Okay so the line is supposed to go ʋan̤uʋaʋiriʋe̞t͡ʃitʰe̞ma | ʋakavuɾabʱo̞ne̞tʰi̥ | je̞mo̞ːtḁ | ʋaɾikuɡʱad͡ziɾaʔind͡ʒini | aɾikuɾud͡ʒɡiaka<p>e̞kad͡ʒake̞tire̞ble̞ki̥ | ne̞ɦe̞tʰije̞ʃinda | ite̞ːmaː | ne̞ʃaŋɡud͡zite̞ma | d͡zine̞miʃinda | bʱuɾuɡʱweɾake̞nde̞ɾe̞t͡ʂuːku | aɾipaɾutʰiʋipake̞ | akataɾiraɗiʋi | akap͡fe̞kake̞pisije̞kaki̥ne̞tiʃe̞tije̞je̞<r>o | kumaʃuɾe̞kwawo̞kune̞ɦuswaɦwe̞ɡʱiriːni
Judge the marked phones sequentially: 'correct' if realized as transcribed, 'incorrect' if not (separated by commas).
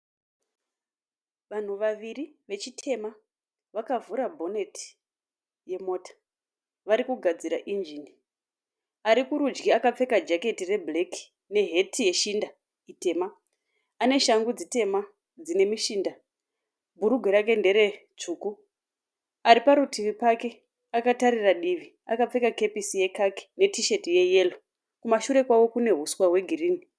incorrect, incorrect